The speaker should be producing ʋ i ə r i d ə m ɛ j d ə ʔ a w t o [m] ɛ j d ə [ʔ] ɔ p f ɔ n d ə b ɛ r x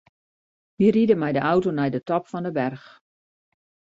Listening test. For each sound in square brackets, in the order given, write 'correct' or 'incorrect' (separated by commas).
incorrect, incorrect